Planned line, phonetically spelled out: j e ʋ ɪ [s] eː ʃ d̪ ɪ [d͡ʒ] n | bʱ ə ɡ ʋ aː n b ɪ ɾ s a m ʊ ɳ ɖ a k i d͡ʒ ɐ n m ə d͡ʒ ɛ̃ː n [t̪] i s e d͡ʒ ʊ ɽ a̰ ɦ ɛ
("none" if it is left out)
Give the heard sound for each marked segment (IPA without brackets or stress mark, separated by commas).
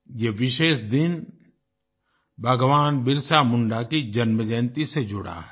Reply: ʃ, none, t̪